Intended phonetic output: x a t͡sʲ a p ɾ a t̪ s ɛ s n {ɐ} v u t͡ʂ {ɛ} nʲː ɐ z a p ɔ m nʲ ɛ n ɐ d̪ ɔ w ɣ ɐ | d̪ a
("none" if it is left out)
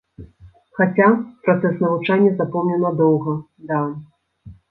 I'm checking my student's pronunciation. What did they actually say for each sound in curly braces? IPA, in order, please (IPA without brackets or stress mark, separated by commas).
ɐ, a